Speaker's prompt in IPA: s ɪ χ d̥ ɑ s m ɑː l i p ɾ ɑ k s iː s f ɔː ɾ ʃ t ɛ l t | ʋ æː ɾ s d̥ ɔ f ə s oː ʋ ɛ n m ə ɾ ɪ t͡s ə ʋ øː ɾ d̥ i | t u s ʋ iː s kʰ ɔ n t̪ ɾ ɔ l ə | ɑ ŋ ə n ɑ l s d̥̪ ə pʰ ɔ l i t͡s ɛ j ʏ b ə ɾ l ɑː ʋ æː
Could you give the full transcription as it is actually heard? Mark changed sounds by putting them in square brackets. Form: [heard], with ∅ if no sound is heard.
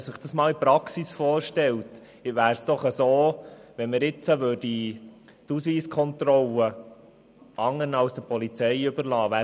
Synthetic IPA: s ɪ χ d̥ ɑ s m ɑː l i p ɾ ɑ k s [i] s f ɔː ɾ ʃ t ɛ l t | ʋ æː ɾ s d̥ ɔ [χ] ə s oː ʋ ɛ n m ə ɾ ɪ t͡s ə ʋ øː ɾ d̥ i | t u s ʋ iː s kʰ ɔ n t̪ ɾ ɔ l ə | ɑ ŋ ə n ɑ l s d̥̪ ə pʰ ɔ l i t͡s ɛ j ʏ b ə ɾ l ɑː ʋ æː